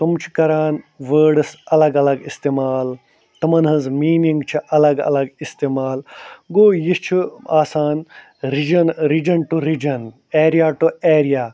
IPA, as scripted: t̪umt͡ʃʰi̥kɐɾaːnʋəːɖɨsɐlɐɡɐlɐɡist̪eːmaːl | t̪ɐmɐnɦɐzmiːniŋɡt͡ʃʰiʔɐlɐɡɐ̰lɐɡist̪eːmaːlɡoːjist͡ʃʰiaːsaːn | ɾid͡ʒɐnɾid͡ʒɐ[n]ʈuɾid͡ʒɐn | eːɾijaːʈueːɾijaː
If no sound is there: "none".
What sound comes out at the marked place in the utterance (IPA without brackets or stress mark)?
n